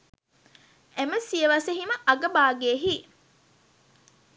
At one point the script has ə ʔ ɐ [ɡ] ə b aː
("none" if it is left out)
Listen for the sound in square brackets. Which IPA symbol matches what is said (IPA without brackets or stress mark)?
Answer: ɡ